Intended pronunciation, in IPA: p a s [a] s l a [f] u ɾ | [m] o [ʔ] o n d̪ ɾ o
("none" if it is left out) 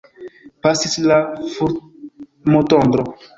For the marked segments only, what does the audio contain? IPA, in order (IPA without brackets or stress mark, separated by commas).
i, f, m, t